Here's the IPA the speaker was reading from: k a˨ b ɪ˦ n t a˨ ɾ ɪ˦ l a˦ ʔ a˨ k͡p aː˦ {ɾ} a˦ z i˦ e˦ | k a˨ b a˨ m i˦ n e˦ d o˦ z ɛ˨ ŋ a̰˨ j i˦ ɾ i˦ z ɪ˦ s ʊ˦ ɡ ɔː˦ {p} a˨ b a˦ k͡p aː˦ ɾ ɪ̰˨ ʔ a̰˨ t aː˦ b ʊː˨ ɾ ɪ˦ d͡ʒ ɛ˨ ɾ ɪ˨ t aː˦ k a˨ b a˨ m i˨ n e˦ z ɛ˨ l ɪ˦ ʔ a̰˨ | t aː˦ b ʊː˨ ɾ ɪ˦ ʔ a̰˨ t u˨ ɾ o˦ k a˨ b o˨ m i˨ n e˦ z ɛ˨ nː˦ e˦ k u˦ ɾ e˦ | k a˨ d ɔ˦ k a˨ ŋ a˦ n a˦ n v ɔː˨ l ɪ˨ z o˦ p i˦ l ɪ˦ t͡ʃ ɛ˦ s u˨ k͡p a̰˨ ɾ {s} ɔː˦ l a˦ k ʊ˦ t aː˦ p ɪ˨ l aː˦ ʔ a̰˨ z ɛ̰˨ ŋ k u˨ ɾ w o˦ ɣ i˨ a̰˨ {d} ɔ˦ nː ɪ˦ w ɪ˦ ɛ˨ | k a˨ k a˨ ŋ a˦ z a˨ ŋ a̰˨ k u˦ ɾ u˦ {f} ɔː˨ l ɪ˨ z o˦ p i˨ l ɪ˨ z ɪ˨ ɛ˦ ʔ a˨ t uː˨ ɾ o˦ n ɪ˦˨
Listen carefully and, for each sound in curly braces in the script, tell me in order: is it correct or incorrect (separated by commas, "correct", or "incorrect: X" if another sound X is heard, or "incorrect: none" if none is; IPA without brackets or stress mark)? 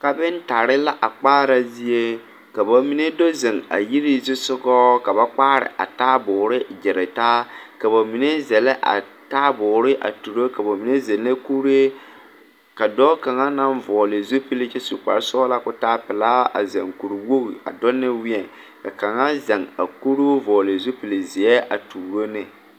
correct, incorrect: k, correct, correct, incorrect: v